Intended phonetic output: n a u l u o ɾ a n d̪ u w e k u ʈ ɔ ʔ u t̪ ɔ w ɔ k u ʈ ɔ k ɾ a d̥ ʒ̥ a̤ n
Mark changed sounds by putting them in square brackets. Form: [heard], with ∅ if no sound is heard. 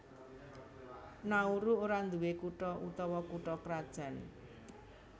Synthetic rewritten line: n a u [ɾ] u o ɾ a n d̪ u w e k u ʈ ɔ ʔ u t̪ ɔ w ɔ k u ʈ ɔ k ɾ a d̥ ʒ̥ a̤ n